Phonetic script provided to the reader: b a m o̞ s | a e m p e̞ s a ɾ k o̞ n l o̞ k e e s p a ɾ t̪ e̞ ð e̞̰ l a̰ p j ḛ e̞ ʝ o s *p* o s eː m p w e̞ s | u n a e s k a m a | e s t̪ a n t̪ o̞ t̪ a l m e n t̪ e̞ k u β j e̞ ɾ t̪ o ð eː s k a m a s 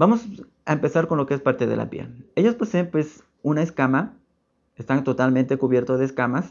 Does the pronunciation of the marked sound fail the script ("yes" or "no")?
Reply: no